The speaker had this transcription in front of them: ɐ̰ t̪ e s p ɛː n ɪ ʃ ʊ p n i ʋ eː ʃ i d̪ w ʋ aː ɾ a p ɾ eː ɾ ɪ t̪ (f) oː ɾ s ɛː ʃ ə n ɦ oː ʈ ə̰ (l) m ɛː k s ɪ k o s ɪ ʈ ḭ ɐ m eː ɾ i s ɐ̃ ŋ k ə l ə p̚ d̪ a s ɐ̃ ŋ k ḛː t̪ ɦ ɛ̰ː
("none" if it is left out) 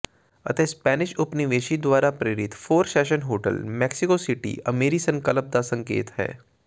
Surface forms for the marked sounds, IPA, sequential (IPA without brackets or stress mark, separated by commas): f, l